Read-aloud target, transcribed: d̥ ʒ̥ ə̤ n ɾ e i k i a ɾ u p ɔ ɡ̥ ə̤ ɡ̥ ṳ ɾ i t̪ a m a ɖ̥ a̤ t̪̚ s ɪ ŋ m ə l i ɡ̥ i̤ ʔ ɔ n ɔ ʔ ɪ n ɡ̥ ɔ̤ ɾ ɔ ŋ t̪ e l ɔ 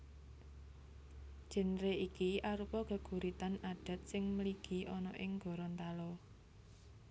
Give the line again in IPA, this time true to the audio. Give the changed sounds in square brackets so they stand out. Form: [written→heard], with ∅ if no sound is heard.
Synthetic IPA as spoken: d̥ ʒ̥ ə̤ n ɾ e i k i a ɾ u p ɔ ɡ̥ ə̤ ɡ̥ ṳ ɾ i t̪ a [m→n] a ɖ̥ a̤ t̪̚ s ɪ ŋ m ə l i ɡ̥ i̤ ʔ ɔ n ɔ ʔ ɪ [n→ŋ] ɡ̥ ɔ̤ ɾ ɔ [ŋ→n] t̪ [e→a] l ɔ